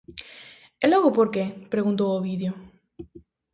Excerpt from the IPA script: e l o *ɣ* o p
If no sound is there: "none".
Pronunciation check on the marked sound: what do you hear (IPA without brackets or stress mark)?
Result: ɣ